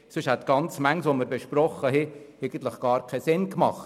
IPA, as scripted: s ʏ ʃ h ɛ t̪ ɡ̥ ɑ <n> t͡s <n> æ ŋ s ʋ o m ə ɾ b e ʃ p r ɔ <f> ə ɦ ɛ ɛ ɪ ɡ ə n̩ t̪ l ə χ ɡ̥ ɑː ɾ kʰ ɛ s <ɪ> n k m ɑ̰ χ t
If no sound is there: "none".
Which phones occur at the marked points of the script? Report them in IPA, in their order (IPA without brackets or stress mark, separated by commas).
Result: n, m, χ, ɪ